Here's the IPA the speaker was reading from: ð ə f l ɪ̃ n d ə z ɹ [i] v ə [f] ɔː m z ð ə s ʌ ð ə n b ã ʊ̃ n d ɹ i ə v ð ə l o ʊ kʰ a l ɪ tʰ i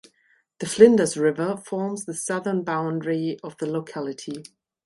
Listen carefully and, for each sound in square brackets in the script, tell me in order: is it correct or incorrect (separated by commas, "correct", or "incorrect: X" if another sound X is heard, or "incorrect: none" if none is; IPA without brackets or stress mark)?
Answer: incorrect: ɪ, correct